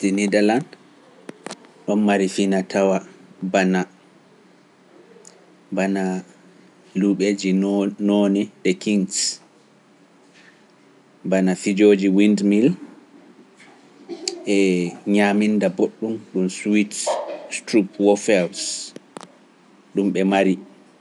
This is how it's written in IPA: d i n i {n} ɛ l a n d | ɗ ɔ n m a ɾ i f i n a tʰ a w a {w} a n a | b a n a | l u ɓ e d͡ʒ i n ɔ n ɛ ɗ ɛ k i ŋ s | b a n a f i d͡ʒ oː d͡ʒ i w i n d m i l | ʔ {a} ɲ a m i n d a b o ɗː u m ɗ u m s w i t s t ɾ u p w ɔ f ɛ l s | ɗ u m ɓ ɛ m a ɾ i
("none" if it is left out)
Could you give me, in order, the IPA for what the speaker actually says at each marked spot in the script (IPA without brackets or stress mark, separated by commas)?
d, b, ɛ